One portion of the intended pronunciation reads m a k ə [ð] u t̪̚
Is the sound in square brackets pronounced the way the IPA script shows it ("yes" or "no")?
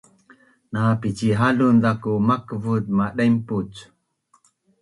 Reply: no